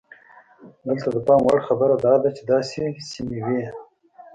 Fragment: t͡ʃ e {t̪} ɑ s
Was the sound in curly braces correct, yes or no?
no